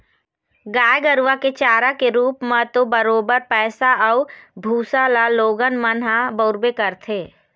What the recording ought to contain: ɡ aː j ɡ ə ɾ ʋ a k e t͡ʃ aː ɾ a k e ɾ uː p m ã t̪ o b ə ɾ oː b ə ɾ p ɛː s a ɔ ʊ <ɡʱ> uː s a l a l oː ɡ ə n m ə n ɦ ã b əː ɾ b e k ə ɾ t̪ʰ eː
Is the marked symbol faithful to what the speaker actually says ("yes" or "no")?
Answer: no